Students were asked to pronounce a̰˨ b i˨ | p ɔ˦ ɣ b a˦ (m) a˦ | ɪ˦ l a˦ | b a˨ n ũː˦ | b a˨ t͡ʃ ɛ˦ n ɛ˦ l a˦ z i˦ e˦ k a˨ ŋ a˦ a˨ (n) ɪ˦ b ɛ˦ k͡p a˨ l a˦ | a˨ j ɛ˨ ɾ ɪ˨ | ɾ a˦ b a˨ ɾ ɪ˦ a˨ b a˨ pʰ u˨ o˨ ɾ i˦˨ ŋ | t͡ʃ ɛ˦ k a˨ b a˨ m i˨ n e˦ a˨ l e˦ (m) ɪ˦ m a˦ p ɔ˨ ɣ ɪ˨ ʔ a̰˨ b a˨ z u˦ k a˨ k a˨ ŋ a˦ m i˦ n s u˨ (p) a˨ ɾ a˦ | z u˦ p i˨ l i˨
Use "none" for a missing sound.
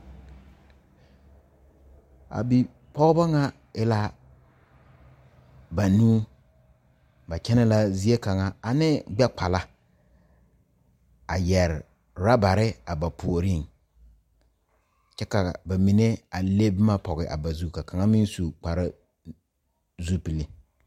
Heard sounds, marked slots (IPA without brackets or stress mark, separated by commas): ŋ, n, b, k͡p